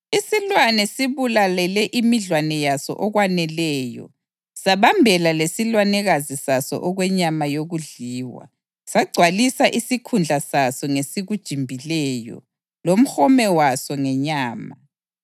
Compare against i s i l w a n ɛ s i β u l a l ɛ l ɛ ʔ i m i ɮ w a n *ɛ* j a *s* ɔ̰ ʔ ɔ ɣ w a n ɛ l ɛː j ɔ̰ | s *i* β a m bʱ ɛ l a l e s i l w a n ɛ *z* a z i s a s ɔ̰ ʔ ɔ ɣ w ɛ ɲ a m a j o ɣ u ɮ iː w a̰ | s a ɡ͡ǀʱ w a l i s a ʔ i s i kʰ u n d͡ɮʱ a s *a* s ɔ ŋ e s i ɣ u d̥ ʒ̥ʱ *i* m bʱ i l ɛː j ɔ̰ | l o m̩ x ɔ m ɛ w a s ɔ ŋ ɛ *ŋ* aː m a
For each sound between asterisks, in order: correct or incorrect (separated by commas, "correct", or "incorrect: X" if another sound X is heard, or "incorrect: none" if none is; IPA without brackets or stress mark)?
correct, correct, incorrect: a, incorrect: ɣ, correct, correct, incorrect: ɲ